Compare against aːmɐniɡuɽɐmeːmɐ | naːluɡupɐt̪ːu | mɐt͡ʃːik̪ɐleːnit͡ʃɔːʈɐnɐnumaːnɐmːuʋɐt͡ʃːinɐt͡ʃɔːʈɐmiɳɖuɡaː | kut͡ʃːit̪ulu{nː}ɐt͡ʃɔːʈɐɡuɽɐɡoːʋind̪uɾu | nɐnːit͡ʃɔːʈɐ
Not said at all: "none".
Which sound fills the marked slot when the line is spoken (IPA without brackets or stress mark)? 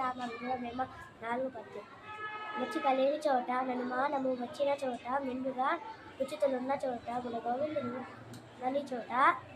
nː